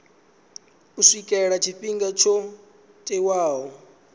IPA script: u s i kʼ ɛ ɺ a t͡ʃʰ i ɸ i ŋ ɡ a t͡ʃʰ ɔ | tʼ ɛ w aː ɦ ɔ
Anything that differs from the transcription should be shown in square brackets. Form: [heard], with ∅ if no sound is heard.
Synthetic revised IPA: u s i kʼ ɛ ɺ a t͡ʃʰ i ɸ i ŋ ɡ a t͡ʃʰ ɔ | tʼ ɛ w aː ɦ ɔ